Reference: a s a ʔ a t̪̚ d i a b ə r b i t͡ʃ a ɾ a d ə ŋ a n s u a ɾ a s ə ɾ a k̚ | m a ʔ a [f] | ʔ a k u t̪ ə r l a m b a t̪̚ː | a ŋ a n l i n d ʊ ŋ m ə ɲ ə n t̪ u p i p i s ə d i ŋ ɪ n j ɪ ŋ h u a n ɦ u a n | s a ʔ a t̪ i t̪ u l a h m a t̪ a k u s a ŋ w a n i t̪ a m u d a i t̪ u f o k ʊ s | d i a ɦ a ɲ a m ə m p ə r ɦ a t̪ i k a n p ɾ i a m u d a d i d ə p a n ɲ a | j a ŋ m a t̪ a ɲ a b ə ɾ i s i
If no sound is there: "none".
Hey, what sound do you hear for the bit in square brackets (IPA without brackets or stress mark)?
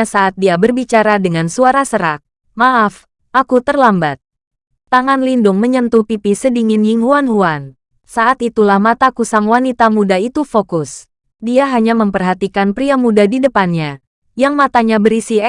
f